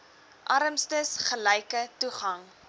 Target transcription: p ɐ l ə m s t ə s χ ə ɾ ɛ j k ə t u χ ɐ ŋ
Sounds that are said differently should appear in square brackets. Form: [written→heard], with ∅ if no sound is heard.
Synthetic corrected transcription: [p→ʔ] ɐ [l→ɾ] ə m s t ə s χ ə [ɾ→l] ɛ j k ə t u χ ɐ ŋ

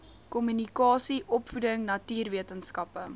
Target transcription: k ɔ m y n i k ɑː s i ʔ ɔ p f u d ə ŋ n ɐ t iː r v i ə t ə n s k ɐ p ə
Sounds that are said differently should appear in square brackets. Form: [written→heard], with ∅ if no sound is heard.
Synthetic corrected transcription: k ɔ m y n i k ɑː s i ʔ ɔ p f u d ə ŋ n ɐ t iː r v i ə t ə n s k ɐ p ə

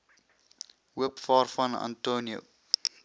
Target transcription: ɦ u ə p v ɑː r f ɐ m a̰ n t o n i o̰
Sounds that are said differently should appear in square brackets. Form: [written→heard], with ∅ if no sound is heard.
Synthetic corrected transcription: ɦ u ə p [v→f] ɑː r f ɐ [m→n] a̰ n t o n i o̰

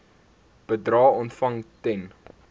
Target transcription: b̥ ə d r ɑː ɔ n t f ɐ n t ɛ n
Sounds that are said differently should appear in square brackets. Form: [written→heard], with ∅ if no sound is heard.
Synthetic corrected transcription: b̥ ə d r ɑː ɔ n t f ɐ [n→ŋ] t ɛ n

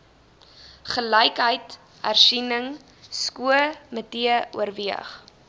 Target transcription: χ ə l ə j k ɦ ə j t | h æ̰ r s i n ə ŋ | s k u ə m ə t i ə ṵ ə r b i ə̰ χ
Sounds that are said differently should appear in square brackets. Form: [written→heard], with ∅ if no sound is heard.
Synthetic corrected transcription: χ ə l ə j k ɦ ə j t | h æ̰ r s i n ə ŋ | s k u ə m ə t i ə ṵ ə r [b→v] i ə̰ χ

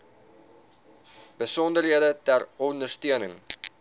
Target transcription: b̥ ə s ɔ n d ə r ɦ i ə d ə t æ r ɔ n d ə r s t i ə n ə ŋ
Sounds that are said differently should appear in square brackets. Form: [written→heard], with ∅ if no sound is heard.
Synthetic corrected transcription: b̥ ə s ɔ n d ə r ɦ i ə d ə t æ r ɔ n d ə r s t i ə n ə ŋ

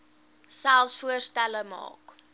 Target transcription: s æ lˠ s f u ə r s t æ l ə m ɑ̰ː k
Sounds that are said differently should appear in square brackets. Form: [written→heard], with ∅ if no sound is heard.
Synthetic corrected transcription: s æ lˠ s f u ə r s t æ l ə m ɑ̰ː k

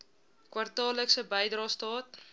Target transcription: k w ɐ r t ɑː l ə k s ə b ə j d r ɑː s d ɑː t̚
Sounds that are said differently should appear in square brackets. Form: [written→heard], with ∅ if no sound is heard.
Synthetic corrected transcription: k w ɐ r t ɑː l ə k s ə b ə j d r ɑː s [d→t] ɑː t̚

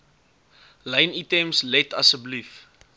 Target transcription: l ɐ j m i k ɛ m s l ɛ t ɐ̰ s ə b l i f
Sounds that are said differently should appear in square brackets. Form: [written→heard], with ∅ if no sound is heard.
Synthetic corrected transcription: l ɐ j [m→n] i [k→t] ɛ m s l ɛ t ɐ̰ s ə b l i f

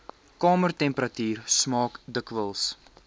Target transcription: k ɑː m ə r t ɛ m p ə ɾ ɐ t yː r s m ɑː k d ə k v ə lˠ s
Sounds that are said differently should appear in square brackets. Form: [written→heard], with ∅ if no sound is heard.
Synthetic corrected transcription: k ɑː m ə r t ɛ m p ə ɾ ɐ t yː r s m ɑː k d ə k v ə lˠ s

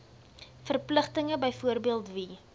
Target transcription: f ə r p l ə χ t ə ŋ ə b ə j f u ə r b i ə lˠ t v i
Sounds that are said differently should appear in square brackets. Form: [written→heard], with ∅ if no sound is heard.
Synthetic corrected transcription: f ə r p l ə χ t ə ŋ ə b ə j f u ə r b i ə lˠ t v i

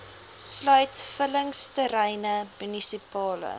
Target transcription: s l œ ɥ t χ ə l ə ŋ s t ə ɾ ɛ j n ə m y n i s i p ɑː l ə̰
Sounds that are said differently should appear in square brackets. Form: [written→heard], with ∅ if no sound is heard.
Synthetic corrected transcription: s l œ ɥ t [χ→f] ə l ə ŋ s t ə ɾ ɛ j n ə m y n i s i p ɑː l ə̰

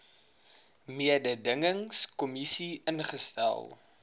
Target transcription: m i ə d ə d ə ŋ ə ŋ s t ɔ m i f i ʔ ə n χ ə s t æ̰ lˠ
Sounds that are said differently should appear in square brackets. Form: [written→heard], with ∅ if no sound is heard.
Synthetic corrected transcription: m i ə d ə d ə ŋ ə ŋ s [t→k] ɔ m i [f→s] i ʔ ə n χ ə s t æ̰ lˠ

